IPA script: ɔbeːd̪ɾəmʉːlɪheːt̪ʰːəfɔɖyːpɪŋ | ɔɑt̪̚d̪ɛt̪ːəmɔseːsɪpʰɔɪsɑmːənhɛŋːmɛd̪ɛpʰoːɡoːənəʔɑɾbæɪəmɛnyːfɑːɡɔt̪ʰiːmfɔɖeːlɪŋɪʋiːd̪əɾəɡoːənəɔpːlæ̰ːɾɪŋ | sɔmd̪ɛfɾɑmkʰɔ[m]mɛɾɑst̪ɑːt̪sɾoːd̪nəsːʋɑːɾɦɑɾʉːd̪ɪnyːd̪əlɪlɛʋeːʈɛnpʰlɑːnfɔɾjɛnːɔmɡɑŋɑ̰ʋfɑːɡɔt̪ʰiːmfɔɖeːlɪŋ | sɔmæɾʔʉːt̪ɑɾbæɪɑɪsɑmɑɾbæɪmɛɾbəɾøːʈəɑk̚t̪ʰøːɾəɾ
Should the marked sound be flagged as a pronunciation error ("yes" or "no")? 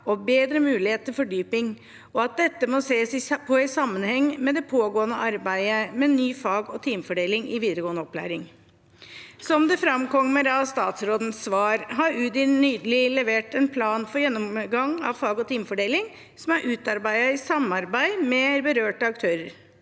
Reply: yes